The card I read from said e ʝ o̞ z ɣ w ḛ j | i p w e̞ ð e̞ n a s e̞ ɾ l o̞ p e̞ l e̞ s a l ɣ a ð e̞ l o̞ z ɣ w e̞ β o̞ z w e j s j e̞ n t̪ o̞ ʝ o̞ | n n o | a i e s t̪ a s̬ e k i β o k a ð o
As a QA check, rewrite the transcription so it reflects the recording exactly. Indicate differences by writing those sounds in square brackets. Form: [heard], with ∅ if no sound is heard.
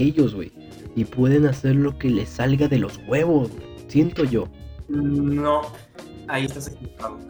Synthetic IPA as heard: e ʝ o̞ z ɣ w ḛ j | i p w e̞ ð e̞ n a s e̞ ɾ l o̞ [k] e̞ l e̞ s a l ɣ a ð e̞ l o̞ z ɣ w e̞ β o̞ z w e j s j e̞ n t̪ o̞ ʝ o̞ | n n o | a i e s t̪ a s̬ e k i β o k a ð o